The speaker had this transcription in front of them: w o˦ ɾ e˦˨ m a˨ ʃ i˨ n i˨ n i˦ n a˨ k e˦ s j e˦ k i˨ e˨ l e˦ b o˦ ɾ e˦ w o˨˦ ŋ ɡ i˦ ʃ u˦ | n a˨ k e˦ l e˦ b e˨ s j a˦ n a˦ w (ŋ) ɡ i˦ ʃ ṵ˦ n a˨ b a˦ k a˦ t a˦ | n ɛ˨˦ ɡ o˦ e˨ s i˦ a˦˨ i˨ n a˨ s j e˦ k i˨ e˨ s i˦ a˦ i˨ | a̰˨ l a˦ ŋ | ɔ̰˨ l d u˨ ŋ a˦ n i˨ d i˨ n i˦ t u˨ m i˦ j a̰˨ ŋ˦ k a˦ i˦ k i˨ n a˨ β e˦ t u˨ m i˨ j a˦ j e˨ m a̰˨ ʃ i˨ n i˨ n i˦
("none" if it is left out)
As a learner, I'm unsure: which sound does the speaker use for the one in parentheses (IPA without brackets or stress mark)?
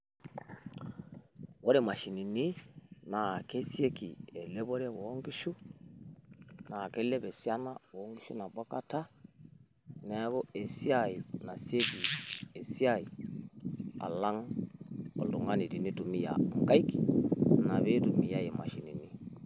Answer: ŋ